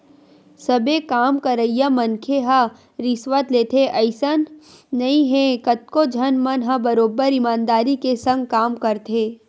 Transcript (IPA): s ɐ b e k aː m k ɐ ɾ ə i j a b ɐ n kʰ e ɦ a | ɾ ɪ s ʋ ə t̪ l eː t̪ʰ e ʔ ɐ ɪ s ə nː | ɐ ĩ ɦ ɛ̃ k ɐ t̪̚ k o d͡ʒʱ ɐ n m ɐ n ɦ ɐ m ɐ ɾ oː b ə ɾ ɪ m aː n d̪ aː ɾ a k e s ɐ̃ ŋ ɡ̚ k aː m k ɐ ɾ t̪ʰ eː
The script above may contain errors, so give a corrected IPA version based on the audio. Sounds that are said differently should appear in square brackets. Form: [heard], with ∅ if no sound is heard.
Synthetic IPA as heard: s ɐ b e k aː m k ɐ ɾ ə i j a [m] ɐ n kʰ e ɦ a | ɾ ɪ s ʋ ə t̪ l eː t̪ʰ e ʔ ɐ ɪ s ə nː | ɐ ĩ ɦ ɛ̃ k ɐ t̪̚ k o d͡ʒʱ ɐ n m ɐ n ɦ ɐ [b] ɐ ɾ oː b ə ɾ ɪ m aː n d̪ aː ɾ [i] k e s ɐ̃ ŋ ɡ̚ k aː m k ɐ ɾ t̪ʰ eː